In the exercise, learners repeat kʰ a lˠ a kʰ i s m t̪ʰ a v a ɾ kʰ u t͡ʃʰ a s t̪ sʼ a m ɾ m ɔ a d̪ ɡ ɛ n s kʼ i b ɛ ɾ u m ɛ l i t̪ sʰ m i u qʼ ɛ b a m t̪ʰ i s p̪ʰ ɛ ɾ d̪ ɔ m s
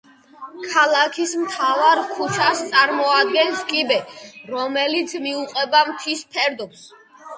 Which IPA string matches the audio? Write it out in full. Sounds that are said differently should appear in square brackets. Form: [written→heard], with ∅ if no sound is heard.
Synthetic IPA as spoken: kʰ a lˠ a kʰ i s m t̪ʰ a v a ɾ kʰ u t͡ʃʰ a s t̪ sʼ a [m→∅] ɾ m ɔ a d̪ ɡ ɛ n s kʼ i b ɛ ɾ [u→ɔ] m ɛ l i t̪ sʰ m i u qʼ ɛ b a m t̪ʰ i s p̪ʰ ɛ ɾ d̪ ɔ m s